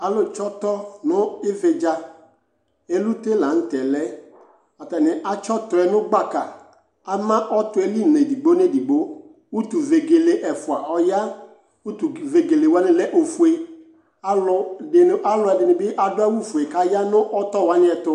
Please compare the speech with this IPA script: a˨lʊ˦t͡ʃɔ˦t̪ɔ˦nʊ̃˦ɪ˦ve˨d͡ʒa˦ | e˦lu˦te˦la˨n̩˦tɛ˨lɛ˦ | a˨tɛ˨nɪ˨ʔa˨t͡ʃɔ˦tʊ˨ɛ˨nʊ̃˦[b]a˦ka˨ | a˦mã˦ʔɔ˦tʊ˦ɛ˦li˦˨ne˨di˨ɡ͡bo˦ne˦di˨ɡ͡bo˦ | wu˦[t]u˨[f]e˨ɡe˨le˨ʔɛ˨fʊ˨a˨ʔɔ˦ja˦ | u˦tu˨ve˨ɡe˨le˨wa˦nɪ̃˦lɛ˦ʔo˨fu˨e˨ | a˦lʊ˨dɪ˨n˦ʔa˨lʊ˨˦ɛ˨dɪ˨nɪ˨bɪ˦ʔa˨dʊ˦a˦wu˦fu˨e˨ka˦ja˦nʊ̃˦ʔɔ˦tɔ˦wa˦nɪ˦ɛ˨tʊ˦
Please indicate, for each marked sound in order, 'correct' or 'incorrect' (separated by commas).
incorrect, correct, incorrect